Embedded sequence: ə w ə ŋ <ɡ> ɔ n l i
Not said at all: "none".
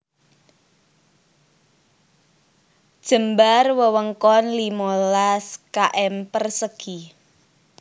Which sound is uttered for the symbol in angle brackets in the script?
k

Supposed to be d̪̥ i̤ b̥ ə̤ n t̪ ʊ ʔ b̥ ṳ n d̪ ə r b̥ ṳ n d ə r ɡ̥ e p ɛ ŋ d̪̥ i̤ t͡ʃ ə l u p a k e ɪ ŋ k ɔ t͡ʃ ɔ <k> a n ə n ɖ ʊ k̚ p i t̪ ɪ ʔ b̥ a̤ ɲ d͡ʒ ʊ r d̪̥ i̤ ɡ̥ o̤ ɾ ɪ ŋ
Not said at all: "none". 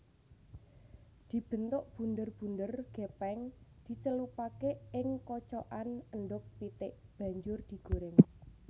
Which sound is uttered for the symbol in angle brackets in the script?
ʔ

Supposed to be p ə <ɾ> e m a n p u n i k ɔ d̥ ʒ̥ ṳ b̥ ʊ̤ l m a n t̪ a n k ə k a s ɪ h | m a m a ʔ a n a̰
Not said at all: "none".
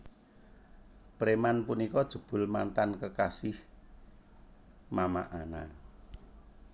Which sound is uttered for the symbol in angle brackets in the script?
ɾ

